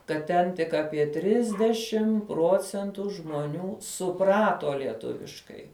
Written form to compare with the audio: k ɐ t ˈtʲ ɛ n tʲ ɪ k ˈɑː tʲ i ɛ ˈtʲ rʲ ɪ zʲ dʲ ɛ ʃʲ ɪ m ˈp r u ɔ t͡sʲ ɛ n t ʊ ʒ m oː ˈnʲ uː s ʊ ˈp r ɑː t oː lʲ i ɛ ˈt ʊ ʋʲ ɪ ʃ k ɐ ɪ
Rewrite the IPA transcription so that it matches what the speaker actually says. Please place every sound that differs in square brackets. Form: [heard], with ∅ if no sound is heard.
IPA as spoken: k ɐ t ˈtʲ ɛ n tʲ ɪ k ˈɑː [pʲ] i ɛ ˈtʲ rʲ ɪ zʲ dʲ ɛ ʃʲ ɪ m ˈp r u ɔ t͡sʲ ɛ n t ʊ ʒ m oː ˈnʲ uː s ʊ ˈp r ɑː t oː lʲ i ɛ ˈt ʊ ʋʲ ɪ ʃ k ɐ ɪ